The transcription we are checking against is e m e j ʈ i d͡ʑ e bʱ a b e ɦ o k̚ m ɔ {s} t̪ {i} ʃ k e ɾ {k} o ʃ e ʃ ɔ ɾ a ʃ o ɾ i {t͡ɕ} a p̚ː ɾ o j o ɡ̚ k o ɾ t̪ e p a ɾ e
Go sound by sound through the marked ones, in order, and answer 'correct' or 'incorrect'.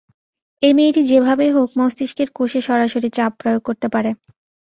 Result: correct, correct, correct, correct

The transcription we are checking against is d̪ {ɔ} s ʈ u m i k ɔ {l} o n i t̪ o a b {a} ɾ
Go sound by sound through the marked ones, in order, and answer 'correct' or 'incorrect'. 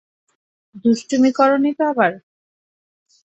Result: incorrect, incorrect, correct

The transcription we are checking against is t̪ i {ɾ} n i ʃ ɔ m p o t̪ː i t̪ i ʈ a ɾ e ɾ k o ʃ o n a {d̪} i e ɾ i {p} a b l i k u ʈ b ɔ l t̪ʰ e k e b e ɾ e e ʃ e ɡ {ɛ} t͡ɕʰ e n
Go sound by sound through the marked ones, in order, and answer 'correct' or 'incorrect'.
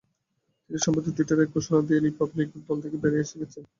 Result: incorrect, correct, correct, incorrect

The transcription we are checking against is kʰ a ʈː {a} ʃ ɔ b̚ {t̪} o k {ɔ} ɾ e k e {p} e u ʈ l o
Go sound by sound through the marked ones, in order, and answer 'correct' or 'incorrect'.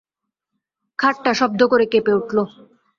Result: correct, incorrect, incorrect, correct

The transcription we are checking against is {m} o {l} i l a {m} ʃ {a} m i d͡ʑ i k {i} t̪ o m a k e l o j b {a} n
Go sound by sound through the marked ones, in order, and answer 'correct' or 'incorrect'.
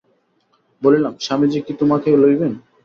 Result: incorrect, correct, correct, correct, correct, incorrect

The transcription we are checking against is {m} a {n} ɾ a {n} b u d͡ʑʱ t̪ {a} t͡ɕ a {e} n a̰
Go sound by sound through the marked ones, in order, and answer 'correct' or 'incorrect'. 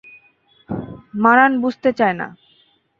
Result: correct, incorrect, correct, incorrect, correct

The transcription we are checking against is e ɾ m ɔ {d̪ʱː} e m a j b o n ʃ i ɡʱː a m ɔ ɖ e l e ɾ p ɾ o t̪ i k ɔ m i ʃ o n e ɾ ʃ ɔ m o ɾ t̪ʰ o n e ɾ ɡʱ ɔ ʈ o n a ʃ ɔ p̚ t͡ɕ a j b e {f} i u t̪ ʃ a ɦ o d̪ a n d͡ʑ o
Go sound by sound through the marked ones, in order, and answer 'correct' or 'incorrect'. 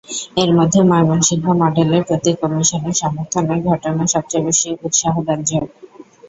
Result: correct, incorrect

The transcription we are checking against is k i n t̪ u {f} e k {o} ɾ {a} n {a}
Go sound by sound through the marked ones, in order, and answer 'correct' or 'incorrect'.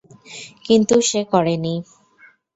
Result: incorrect, incorrect, incorrect, incorrect

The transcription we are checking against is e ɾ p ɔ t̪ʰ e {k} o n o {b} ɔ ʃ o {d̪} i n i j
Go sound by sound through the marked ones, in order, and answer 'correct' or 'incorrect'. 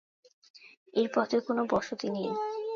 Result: correct, correct, incorrect

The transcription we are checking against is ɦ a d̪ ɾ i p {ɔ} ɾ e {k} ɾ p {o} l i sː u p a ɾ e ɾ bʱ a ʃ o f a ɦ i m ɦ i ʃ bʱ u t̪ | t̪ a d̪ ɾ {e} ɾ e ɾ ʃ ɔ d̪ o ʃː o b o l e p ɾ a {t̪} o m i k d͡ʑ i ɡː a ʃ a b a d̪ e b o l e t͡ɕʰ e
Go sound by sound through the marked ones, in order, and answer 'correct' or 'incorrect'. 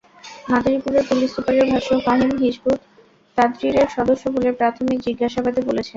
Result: incorrect, incorrect, incorrect, incorrect, incorrect

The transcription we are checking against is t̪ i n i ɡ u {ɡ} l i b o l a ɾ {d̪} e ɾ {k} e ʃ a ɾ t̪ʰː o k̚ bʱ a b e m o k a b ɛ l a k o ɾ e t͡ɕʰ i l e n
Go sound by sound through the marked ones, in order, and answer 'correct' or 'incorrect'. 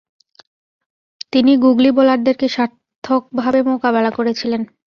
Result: correct, correct, correct

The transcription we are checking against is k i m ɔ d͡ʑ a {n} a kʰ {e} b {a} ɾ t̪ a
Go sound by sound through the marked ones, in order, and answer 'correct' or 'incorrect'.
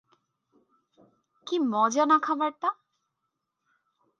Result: correct, incorrect, correct

